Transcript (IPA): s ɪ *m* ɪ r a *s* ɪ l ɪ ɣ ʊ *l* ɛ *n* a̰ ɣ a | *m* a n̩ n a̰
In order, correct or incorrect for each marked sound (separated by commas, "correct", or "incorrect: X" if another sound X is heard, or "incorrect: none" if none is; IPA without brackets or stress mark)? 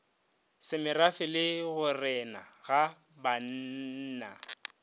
correct, incorrect: f, incorrect: r, correct, incorrect: b